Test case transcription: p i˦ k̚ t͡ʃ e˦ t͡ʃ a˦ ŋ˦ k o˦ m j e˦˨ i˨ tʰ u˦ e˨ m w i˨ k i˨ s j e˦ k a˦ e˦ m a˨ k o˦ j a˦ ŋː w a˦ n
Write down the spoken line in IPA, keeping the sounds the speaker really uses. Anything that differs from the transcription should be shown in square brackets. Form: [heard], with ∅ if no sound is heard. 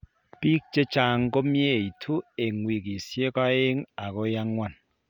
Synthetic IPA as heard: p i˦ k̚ t͡ʃ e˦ t͡ʃ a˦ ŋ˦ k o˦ m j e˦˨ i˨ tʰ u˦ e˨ [ŋ] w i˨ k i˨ s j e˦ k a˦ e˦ [ŋ] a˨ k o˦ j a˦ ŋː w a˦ n